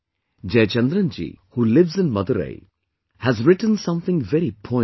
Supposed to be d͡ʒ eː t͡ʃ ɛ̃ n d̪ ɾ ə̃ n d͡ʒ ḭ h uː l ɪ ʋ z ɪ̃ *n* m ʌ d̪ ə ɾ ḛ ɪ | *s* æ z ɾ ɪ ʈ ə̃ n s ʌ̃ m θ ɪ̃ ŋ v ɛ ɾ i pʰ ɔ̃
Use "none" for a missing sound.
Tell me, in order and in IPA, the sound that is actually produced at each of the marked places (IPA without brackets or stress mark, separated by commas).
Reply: n, h